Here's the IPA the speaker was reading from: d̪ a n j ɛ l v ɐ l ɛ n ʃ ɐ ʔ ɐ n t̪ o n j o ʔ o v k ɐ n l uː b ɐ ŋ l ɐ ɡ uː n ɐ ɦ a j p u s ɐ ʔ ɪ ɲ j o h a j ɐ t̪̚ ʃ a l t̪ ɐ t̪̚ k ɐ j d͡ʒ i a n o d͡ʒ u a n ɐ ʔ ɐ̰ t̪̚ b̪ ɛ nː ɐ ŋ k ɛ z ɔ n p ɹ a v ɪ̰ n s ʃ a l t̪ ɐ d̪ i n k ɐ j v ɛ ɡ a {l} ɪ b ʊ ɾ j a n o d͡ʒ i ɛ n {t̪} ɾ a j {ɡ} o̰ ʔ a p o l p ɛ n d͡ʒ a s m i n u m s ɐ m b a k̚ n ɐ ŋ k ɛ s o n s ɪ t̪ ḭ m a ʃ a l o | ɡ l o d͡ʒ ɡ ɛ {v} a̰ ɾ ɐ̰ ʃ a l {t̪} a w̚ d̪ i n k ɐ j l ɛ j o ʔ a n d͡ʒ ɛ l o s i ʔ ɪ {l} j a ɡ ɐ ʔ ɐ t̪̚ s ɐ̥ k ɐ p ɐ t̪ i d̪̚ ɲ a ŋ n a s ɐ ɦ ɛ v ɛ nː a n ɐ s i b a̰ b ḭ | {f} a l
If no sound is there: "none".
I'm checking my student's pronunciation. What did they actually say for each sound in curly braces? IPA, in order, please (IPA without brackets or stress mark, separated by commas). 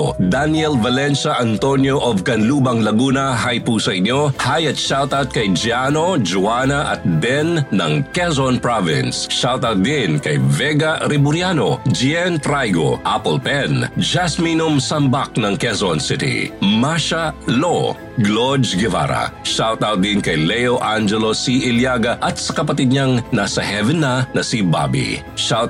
ɾ, t̪, ɡ, v, t̪, l, ʃ